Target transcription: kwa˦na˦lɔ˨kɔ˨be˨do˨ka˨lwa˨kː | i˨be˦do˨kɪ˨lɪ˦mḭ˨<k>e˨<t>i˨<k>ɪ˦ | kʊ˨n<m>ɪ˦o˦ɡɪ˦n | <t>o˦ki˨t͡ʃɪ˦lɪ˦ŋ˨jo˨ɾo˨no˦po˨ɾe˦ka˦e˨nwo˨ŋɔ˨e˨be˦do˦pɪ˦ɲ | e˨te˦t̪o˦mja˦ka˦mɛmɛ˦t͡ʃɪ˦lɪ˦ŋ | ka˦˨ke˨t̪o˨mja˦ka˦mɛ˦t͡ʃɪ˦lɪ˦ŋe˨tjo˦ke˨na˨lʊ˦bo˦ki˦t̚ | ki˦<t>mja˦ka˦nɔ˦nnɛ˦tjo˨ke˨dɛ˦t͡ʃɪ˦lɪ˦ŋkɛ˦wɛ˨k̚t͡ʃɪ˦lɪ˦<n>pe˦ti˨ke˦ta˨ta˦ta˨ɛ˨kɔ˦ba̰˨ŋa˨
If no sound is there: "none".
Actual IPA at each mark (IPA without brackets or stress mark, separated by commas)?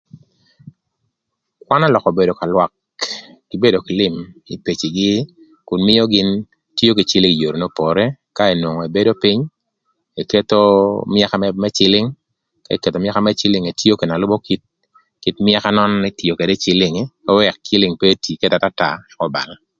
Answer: p, t͡ʃ, ɡ, m, t, t, ŋ